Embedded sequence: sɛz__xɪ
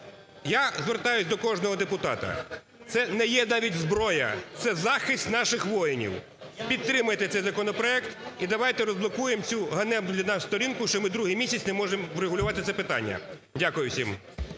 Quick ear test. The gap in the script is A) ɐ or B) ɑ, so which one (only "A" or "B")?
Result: B